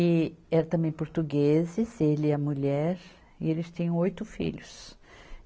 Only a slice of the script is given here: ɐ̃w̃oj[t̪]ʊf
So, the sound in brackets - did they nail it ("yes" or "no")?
yes